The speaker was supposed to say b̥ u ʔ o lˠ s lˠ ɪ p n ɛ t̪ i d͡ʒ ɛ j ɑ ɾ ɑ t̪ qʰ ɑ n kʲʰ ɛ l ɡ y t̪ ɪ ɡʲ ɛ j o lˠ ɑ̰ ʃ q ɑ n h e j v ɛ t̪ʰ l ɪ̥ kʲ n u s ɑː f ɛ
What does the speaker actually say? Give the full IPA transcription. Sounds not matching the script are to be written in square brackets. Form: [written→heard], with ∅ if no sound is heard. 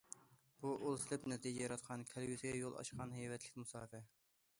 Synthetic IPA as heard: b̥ u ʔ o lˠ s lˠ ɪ p n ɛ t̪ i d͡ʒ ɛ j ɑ ɾ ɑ t̪ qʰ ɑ n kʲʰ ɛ l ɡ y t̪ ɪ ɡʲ ɛ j o lˠ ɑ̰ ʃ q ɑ n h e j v ɛ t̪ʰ l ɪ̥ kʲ [n→m] u s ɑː f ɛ